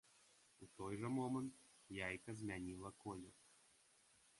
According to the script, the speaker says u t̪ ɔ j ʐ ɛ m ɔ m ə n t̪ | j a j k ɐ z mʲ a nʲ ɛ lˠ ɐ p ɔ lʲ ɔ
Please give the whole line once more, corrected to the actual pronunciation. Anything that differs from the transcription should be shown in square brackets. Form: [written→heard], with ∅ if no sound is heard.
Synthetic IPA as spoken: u t̪ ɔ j ʐ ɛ m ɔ m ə n t̪ | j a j k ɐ z mʲ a nʲ [ɛ→i] lˠ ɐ [p→k] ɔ lʲ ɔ

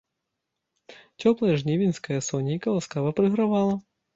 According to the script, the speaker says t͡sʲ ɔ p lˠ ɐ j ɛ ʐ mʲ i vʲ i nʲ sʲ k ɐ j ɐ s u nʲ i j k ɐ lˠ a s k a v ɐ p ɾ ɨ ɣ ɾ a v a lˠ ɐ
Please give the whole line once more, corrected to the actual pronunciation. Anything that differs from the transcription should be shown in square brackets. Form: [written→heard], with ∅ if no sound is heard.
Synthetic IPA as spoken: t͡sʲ ɔ p lˠ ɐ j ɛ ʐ [mʲ→nʲ] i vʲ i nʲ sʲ k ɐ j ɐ s [u→ɔ] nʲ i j k ɐ lˠ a s k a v ɐ p ɾ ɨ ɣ ɾ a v a lˠ ɐ

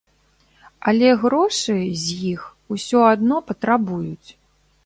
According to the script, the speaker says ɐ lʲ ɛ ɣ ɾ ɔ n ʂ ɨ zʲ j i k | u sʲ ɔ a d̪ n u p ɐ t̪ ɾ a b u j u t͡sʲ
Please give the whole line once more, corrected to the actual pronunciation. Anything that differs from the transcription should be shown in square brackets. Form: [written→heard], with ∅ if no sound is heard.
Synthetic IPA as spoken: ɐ lʲ ɛ ɣ ɾ ɔ [n→∅] ʂ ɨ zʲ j i [k→x] | u sʲ ɔ a d̪ n [u→ɔ] p ɐ t̪ ɾ a b u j u t͡sʲ

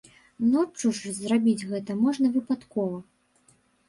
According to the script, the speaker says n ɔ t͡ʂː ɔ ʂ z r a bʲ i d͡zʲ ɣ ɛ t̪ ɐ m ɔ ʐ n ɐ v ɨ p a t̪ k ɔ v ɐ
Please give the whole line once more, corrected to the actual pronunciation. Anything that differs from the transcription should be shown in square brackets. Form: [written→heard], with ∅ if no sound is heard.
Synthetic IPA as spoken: n ɔ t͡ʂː [ɔ→u] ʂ z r a bʲ i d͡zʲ ɣ ɛ t̪ ɐ m ɔ ʐ n ɐ v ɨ p a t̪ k ɔ v ɐ

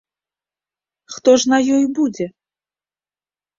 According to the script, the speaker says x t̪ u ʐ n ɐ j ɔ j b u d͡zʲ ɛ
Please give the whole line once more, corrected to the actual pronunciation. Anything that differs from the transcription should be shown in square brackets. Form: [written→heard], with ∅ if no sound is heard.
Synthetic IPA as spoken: x t̪ [u→ɔ] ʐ n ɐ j ɔ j b u d͡zʲ ɛ

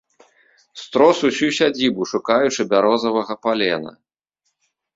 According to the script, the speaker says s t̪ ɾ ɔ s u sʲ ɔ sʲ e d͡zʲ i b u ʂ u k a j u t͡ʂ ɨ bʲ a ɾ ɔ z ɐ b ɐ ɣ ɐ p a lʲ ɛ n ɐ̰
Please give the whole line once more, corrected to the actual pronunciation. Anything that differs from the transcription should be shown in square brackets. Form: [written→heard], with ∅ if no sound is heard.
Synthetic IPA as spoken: s t̪ ɾ ɔ s u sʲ [ɔ→u] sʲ [e→a] d͡zʲ i b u ʂ u k a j u t͡ʂ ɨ bʲ a ɾ ɔ z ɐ [b→v] ɐ ɣ ɐ p a lʲ ɛ n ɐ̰

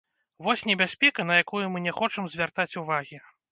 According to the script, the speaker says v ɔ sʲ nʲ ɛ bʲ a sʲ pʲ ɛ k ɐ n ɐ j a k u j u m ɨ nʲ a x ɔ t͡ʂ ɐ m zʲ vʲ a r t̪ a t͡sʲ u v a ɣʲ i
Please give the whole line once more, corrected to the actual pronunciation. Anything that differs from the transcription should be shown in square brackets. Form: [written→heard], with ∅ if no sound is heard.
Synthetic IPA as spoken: v ɔ sʲ nʲ ɛ bʲ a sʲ pʲ ɛ k ɐ n ɐ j a k u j u m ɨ nʲ [a→ɛ] x ɔ t͡ʂ ɐ m zʲ vʲ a r t̪ a t͡sʲ u v a ɣʲ i

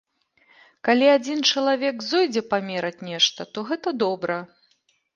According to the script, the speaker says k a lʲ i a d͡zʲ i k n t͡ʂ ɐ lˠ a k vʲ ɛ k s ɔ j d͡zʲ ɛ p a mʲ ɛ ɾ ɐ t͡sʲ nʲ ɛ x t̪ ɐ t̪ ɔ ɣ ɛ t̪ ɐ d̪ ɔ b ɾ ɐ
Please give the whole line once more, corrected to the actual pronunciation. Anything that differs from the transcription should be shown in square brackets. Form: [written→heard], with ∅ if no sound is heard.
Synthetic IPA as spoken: k a lʲ i a d͡zʲ i [k→∅] n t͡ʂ ɐ lˠ a [k→∅] vʲ ɛ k [s→z] ɔ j d͡zʲ ɛ p a mʲ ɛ ɾ ɐ t͡sʲ nʲ ɛ [x→ʂ] t̪ ɐ t̪ ɔ ɣ ɛ t̪ ɐ d̪ ɔ b ɾ ɐ

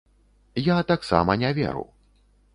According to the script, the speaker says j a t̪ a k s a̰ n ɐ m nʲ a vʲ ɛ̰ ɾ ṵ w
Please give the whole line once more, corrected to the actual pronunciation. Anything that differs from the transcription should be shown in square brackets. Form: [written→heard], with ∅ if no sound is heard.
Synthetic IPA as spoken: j a t̪ a k s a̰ [n→m] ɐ [m→∅] nʲ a vʲ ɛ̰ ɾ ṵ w

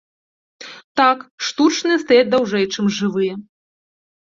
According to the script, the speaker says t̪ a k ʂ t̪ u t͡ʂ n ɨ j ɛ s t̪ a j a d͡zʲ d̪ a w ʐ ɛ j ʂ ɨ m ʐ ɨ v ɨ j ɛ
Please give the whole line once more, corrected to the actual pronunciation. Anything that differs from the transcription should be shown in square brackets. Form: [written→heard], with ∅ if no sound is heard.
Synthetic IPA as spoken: t̪ a k ʂ t̪ u t͡ʂ n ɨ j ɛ s t̪ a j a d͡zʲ d̪ a w ʐ ɛ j [ʂ→t͡ʂ] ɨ m ʐ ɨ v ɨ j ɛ

